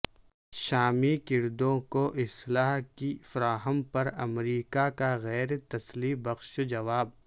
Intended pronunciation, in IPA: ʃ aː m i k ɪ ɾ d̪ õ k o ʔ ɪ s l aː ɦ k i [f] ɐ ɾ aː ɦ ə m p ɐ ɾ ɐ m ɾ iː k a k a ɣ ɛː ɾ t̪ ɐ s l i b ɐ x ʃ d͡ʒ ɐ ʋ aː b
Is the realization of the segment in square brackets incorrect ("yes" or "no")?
no